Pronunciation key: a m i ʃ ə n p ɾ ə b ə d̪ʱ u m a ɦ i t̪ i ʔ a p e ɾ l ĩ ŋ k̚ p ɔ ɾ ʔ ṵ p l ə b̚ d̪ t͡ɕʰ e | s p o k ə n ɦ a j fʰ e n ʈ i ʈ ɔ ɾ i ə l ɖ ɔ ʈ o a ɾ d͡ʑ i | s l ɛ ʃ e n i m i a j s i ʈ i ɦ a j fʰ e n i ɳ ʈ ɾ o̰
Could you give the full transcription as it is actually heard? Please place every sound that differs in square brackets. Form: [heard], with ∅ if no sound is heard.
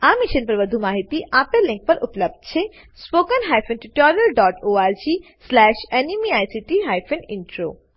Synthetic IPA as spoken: a m i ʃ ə n p ɾ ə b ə d̪ʱ u m a ɦ i t̪ i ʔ a p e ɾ l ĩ ŋ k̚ p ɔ ɾ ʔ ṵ p l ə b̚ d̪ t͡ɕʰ e | s p o k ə n ɦ a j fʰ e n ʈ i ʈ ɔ ɾ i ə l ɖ ɔ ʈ o a ɾ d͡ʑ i | s l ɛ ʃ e n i m i a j s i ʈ i ɦ a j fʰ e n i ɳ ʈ ɾ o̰